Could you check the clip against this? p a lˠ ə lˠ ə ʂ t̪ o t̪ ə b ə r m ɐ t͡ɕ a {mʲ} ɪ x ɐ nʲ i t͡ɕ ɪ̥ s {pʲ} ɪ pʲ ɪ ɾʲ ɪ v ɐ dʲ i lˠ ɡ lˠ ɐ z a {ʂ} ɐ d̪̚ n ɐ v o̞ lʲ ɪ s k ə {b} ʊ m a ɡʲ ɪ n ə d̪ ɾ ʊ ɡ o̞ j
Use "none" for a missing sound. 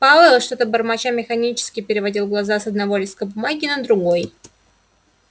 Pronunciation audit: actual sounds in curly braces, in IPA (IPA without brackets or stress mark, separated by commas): mʲ, kʲ, s, b